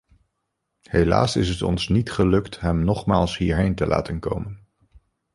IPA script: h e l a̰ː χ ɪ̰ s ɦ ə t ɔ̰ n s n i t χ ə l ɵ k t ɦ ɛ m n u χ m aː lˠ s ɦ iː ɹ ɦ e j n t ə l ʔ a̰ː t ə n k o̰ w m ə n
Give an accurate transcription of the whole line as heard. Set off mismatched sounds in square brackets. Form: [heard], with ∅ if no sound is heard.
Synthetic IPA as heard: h e l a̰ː [s] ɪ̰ s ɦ ə t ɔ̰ n s n i t χ ə l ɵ k t ɦ ɛ m n [ɔ] χ m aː lˠ s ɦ iː ɹ ɦ e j n t ə l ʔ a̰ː t ə n k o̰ w m ə n